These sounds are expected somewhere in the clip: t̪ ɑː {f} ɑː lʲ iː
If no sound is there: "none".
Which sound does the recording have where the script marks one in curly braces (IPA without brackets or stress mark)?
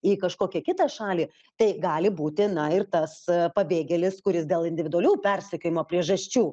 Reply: ʃ